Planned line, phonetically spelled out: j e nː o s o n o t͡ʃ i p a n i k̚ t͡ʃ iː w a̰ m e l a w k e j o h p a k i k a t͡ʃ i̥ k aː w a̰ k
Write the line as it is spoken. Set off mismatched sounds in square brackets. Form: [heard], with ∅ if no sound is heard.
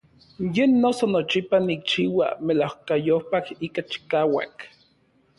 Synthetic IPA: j e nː o s o n o t͡ʃ i p a n i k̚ t͡ʃ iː w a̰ m e l a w k [a] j o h p a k i k a t͡ʃ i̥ k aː w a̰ k